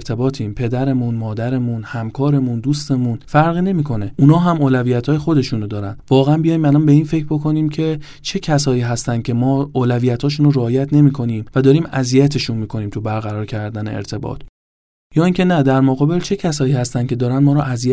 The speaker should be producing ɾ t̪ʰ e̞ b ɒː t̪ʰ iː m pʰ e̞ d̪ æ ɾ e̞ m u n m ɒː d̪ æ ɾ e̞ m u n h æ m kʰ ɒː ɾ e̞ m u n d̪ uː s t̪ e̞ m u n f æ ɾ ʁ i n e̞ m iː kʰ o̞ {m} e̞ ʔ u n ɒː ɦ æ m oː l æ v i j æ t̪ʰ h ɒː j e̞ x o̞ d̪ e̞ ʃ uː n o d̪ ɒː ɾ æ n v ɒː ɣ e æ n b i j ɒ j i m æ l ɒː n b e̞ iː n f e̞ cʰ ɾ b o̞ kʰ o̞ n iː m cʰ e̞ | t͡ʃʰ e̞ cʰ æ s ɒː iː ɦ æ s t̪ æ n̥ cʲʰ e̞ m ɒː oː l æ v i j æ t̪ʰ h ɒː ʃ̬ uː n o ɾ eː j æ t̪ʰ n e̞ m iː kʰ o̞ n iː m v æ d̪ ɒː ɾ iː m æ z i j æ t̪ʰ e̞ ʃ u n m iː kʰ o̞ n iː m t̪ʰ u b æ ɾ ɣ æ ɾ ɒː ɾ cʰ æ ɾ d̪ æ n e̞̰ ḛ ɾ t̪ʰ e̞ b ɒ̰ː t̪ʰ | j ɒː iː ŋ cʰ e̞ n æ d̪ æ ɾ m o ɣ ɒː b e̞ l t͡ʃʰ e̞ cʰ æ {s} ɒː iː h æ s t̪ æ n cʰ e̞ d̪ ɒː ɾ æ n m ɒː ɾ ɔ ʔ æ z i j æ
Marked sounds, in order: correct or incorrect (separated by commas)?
incorrect, correct